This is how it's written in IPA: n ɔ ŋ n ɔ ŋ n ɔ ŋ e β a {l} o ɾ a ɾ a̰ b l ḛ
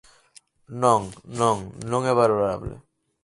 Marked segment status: incorrect: ɾ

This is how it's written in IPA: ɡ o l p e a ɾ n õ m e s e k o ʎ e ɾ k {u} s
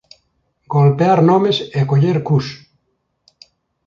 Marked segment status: correct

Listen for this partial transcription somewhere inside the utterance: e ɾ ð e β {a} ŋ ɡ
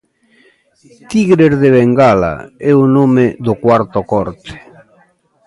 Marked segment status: incorrect: e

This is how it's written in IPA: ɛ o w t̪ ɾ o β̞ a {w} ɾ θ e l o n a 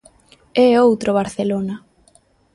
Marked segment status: incorrect: none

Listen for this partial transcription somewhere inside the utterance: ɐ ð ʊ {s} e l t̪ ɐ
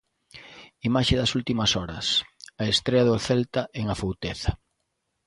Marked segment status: incorrect: θ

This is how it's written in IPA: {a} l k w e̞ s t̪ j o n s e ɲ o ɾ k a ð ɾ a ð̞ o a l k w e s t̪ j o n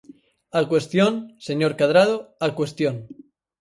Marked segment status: correct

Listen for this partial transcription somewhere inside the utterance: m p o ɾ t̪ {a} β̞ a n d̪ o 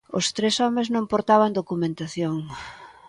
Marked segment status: correct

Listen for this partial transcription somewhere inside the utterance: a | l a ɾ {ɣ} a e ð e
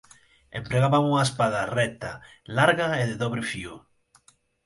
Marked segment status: correct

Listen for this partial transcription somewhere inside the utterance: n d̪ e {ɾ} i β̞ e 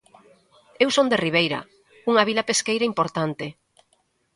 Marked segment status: incorrect: r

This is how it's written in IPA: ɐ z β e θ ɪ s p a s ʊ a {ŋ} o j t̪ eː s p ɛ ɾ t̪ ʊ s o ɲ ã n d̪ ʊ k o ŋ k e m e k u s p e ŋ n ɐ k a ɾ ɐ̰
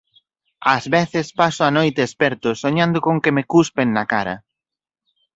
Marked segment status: incorrect: n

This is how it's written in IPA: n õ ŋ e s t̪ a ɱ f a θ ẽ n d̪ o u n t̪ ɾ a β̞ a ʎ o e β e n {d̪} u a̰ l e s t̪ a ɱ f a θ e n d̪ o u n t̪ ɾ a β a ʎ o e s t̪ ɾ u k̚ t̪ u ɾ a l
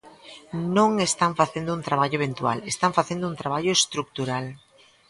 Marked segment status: incorrect: t̪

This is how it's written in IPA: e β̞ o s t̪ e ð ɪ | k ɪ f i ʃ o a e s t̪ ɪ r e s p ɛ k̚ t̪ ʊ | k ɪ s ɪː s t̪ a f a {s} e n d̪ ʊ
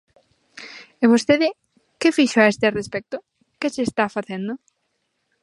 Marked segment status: incorrect: θ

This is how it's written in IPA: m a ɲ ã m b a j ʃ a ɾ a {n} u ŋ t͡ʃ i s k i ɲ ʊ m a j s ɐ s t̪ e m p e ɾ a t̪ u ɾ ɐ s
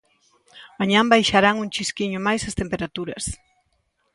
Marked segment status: incorrect: ŋ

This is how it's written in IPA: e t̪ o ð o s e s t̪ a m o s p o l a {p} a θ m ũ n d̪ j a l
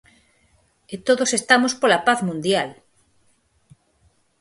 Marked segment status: correct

